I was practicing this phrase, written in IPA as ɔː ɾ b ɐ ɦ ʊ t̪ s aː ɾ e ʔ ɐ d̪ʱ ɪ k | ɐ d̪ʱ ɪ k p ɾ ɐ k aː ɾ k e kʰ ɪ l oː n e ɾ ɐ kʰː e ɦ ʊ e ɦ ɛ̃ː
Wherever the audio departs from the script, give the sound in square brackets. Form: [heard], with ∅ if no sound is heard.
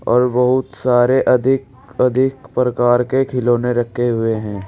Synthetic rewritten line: ɔː ɾ b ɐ ɦ ʊ t̪ s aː ɾ e ʔ ɐ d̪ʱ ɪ k | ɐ d̪ʱ ɪ k p ɾ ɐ k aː ɾ k e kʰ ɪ l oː n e ɾ ɐ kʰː e ɦ ʊ e ɦ ɛ̃ː